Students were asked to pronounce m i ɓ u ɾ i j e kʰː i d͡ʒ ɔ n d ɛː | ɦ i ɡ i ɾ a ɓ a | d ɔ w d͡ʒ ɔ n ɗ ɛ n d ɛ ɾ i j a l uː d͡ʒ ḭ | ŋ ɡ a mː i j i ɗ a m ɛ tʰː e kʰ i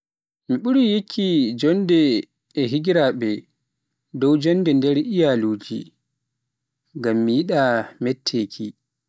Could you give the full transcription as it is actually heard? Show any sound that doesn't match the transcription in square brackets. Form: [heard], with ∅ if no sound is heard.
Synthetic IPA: m i ɓ u ɾ i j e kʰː i d͡ʒ ɔ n d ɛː | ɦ i ɡ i ɾ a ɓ [ɛ] | d ɔ w d͡ʒ ɔ n [d] ɛ n d ɛ ɾ i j a l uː d͡ʒ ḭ | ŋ ɡ a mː i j i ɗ a m ɛ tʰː e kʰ i

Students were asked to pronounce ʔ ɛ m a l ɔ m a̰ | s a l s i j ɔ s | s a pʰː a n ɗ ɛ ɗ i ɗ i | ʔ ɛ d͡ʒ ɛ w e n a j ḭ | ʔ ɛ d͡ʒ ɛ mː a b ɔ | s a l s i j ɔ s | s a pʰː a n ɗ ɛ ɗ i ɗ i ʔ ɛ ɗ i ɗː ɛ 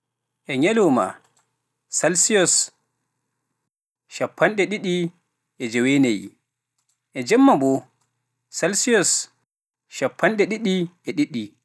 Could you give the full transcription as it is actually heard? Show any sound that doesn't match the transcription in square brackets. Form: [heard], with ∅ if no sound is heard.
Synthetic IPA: ʔ ɛ [ɲ] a l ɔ m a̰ | s a l s i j ɔ s | [ʃ] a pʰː a n ɗ ɛ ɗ i ɗ i | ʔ ɛ d͡ʒ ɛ w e n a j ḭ | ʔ ɛ d͡ʒ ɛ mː a b ɔ | s a l s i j ɔ s | [ʃ] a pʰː a n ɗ ɛ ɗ i ɗ i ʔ ɛ ɗ i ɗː [i]

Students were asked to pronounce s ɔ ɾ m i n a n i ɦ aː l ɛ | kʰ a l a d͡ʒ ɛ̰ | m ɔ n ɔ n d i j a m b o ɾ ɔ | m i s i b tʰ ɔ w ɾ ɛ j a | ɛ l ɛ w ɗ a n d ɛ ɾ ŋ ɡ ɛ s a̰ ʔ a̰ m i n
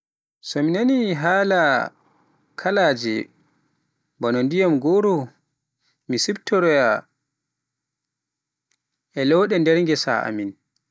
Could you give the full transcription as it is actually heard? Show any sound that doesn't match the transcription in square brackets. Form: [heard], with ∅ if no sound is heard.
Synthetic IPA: s ɔ [∅] m i n a n i ɦ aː l [a] | kʰ a l a d͡ʒ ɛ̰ | [b] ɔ n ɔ n d i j a m [ɡ] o ɾ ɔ | m i s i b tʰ ɔ [∅] ɾ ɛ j a | ɛ l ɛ w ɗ [ɛ] n d ɛ ɾ ŋ ɡ ɛ s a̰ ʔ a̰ m i n

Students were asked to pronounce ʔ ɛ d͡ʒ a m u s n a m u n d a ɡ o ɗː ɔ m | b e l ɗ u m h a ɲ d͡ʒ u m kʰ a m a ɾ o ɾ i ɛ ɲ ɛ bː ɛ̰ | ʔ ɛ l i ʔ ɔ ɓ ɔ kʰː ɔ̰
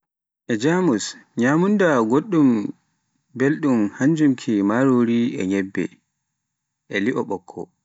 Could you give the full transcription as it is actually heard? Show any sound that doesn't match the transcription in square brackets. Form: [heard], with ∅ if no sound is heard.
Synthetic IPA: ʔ ɛ d͡ʒ a m u s [ɲ] a m u n d a ɡ o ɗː [u] m | b e l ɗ u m h a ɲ d͡ʒ u m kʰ [i] m a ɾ o ɾ i ɛ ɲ ɛ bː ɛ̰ | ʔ ɛ l i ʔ ɔ ɓ ɔ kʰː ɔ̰

